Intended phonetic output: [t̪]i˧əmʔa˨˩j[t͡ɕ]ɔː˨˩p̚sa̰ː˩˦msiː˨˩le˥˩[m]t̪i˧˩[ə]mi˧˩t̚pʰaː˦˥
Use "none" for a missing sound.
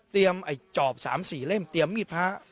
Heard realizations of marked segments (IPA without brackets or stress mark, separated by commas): t̪, t͡ɕ, m, ə